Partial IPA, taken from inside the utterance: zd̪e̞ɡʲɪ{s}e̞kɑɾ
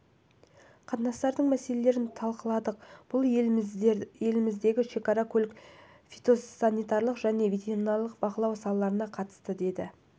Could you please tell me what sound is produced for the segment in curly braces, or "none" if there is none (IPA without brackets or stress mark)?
ʃ